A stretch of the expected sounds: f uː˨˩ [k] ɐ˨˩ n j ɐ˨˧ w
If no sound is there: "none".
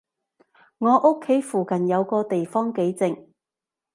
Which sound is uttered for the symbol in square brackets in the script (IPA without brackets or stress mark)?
k